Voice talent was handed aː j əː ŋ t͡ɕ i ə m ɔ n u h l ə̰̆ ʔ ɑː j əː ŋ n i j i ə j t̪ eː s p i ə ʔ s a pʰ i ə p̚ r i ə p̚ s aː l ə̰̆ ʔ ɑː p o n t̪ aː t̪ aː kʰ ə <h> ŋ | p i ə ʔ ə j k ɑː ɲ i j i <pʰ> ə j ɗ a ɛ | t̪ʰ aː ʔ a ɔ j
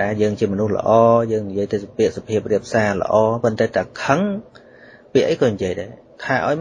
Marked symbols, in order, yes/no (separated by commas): no, no